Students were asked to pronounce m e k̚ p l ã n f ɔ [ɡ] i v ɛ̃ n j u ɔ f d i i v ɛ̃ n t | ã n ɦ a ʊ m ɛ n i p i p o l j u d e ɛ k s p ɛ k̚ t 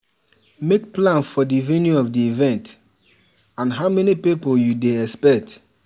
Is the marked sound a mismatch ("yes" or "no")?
yes